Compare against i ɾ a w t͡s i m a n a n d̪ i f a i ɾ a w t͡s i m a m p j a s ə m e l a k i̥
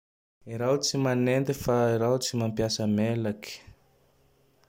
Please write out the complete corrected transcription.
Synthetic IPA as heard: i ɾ a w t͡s i m a n e n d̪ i f a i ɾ a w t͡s i m a m p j a s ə m e l a k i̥